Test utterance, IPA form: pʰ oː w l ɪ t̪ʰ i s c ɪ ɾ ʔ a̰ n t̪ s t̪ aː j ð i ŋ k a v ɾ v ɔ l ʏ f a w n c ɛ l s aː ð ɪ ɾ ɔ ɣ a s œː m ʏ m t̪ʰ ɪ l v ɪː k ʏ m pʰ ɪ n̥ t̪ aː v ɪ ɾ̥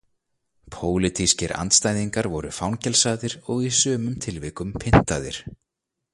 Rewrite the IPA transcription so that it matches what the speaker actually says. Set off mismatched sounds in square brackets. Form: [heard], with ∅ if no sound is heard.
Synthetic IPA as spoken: pʰ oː w l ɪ t̪ʰ i s c ɪ ɾ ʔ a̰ n t̪ s t̪ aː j ð i ŋ k a [∅] ɾ v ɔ [ɾ] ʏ f a w n c ɛ l s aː ð ɪ ɾ ɔ ɣ [i] s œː m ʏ m t̪ʰ ɪ l v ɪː k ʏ m pʰ ɪ n̥ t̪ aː [ð] ɪ ɾ̥

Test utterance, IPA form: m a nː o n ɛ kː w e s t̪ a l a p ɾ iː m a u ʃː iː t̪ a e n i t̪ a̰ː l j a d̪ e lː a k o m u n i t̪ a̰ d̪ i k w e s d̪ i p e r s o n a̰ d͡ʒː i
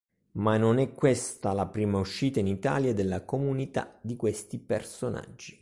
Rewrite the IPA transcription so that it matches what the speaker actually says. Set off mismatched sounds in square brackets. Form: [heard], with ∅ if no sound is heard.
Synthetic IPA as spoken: m a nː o n ɛ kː w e s t̪ a l a p ɾ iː m a u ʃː iː t̪ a [i] n i t̪ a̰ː l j a d̪ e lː a k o m u n i t̪ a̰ d̪ i k w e s [t̪] i p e r s o n a̰ d͡ʒː i

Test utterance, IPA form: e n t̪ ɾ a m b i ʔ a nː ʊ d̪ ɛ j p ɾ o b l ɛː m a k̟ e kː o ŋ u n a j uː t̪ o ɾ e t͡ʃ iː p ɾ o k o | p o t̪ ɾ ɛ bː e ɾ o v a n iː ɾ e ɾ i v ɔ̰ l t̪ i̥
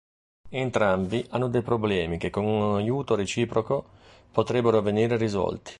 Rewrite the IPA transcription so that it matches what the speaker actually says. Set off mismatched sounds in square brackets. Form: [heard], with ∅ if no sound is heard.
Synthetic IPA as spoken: e n t̪ ɾ a m b i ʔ a nː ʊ d̪ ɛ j p ɾ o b l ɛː m [i] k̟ e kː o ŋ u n a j uː t̪ o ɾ e t͡ʃ iː p ɾ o k o | p o t̪ ɾ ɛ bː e ɾ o v [e] n iː ɾ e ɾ i [z] ɔ̰ l t̪ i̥

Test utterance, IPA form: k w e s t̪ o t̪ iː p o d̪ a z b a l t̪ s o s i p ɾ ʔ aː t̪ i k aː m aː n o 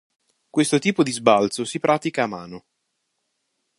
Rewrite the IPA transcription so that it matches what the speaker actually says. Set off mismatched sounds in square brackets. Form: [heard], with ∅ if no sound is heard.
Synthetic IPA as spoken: k w e s t̪ o t̪ iː p o d̪ [i] z b a l t̪ s o s i p ɾ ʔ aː t̪ i k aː m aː n o

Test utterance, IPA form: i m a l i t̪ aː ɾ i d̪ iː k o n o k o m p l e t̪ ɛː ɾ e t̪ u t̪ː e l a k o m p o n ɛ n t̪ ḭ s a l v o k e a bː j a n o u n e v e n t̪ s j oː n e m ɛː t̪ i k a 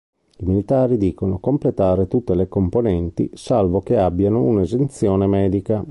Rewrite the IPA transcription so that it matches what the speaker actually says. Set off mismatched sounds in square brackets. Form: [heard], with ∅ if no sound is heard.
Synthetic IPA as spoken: i m [i] l i t̪ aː ɾ i d̪ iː k o n o k o m p l e t̪ [aː] ɾ e t̪ u t̪ː e l [e] k o m p o n ɛ n t̪ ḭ s a l v o k e a bː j a n o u n e [z] e n t̪ s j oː n e m ɛː [d̪] i k a

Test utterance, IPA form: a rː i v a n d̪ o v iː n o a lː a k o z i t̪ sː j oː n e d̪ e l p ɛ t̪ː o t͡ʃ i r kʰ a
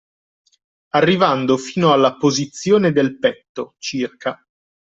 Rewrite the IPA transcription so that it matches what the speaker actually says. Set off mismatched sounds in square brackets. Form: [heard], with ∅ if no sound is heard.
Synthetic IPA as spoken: a rː i v a n d̪ o [f] iː n o a lː a [p] o z i t̪ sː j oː n e d̪ e l p ɛ t̪ː o t͡ʃ i r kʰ a

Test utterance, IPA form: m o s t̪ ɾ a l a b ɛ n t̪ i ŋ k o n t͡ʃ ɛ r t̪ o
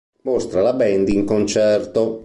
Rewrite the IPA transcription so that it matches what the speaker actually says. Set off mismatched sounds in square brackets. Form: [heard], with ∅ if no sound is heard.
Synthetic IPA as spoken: m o s t̪ ɾ a l a b ɛ n [d̪] i ŋ k o n t͡ʃ ɛ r t̪ o

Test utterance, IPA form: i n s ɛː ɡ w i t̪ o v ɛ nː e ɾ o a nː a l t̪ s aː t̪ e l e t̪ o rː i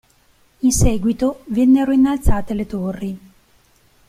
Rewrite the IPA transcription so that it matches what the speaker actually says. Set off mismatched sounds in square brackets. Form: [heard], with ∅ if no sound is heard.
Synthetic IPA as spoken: i n s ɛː ɡ w i t̪ o v ɛ nː e ɾ o [i] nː a l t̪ s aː t̪ e l e t̪ o rː i

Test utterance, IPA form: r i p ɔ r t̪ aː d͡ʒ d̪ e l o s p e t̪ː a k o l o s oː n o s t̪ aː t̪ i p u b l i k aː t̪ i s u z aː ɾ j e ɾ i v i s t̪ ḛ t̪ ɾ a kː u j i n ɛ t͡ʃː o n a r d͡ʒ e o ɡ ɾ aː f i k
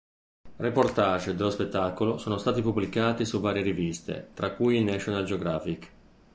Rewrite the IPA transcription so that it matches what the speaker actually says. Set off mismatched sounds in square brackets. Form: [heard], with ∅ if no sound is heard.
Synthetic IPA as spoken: r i p [o] r t̪ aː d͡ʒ d̪ e l o s p e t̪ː a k o l o s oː n o s t̪ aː t̪ i p u b l i k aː t̪ i s u [v] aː ɾ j e ɾ i v i s t̪ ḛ t̪ ɾ a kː u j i n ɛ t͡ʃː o n a [l] d͡ʒ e o ɡ ɾ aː f i k

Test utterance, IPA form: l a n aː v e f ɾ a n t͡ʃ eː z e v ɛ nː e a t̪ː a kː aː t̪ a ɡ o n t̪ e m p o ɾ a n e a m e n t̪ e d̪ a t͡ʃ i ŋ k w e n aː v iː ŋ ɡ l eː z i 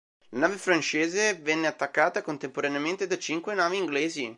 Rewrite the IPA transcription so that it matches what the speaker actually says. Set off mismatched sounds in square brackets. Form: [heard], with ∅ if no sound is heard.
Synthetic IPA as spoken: l a n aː v e f ɾ a n t͡ʃ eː z e v ɛ nː e a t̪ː a kː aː t̪ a [k] o n t̪ e m p o ɾ a n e a m e n t̪ e d̪ a t͡ʃ i ŋ k w e n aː v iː ŋ ɡ l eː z i

